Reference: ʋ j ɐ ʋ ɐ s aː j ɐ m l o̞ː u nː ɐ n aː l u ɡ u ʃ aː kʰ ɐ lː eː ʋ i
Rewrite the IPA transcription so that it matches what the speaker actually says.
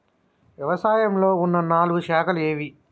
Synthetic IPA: ʋ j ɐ ʋ ɐ s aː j ɐ m l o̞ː u nː ɐ n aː l u ɡ u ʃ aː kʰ ɐ l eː ʋ i